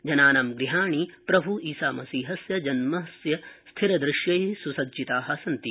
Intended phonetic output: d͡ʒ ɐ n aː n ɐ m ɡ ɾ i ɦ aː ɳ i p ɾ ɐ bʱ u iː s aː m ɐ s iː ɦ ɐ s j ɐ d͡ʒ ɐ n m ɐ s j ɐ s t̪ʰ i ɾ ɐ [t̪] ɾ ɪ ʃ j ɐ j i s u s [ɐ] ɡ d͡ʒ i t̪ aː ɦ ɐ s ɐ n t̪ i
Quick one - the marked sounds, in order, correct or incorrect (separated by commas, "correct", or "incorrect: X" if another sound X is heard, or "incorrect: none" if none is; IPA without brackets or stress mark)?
incorrect: d̪, correct